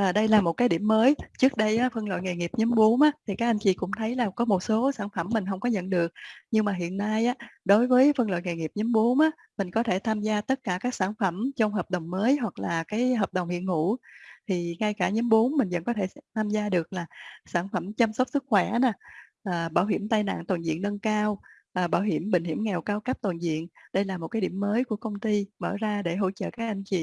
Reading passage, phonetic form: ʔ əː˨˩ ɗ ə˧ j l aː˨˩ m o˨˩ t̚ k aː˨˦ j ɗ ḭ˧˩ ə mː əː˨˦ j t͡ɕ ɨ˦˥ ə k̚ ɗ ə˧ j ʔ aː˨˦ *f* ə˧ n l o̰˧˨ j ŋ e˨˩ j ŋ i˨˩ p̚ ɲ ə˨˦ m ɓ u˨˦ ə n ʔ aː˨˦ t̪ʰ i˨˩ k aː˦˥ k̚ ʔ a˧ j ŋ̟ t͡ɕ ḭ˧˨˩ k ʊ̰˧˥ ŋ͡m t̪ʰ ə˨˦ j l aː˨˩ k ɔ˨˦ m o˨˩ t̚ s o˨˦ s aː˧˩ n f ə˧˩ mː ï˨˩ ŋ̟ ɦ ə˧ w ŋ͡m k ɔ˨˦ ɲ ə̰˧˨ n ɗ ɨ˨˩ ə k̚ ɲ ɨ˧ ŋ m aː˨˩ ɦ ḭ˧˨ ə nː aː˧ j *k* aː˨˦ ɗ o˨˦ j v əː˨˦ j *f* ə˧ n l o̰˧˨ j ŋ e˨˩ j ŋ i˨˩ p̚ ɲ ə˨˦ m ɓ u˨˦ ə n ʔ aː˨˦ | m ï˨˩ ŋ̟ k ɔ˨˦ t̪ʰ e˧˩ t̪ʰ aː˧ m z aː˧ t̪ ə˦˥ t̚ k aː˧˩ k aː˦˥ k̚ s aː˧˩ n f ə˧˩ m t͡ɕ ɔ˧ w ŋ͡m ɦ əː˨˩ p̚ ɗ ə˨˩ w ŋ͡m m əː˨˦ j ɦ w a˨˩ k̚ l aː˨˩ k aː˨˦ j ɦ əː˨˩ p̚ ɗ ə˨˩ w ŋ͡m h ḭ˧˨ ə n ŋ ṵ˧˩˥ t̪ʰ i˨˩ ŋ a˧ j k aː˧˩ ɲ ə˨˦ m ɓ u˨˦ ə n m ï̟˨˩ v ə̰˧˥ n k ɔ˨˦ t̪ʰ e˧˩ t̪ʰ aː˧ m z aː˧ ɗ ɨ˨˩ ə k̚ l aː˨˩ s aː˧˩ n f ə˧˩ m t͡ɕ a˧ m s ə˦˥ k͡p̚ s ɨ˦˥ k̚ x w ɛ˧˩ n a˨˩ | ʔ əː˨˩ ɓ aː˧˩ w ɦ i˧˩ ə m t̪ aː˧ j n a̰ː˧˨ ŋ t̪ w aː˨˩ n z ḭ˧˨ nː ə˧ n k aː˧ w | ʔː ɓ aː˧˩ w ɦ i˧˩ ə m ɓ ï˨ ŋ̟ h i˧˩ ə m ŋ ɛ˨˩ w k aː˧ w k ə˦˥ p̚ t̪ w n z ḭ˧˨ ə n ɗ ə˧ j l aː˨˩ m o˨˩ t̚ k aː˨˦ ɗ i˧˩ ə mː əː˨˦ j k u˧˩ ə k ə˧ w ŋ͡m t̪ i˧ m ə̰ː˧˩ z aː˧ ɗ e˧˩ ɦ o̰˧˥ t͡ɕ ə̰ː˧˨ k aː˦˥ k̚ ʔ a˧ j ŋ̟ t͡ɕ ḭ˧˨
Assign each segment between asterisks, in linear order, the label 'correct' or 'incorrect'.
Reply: correct, incorrect: ʔ, correct

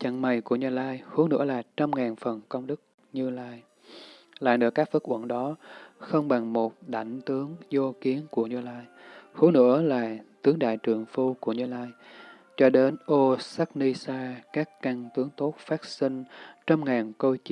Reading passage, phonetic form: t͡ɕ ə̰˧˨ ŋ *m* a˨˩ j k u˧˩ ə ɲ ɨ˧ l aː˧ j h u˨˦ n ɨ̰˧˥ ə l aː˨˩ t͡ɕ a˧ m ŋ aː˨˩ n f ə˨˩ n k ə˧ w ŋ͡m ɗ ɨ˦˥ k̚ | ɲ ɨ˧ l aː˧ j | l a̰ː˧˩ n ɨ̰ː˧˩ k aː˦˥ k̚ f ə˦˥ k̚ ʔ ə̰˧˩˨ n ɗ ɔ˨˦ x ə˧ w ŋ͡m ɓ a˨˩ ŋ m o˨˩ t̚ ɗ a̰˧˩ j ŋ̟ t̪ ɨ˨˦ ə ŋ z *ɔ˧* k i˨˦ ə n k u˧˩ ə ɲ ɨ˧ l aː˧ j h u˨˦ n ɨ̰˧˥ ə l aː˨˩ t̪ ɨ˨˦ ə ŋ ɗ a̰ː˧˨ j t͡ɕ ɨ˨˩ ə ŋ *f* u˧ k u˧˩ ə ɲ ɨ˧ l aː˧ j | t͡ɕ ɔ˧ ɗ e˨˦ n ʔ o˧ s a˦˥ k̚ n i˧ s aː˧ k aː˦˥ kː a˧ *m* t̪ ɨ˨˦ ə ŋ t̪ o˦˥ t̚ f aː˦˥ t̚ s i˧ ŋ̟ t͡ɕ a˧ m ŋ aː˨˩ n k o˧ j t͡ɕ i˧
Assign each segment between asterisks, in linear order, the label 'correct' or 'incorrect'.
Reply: correct, incorrect: o˧, correct, incorrect: ŋ

